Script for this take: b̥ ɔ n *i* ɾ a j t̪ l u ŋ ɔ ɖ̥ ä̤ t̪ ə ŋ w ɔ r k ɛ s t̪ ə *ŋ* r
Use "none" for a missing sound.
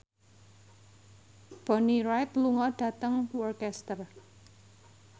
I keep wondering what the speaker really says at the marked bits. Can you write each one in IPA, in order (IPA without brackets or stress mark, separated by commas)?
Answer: i, none